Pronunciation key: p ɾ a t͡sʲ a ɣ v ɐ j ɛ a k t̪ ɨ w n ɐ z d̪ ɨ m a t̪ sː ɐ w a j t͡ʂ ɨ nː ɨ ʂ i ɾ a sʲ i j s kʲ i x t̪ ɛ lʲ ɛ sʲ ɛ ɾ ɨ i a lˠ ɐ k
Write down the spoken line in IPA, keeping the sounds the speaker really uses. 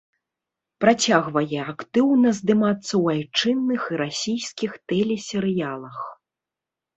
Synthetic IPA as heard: p ɾ a t͡sʲ a ɣ v ɐ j ɛ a k t̪ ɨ w n ɐ z d̪ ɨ m a t̪ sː ɐ w a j t͡ʂ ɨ nː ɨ x i ɾ a sʲ i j s kʲ i x t̪ ɛ lʲ ɛ sʲ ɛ ɾ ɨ j a lˠ ɐ x